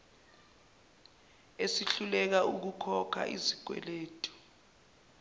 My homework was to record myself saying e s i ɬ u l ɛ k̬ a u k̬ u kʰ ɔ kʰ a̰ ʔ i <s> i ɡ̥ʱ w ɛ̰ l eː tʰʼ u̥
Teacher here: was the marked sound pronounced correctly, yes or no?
no